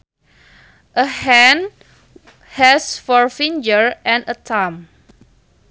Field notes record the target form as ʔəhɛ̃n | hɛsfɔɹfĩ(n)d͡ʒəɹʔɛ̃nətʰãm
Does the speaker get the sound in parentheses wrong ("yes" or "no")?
no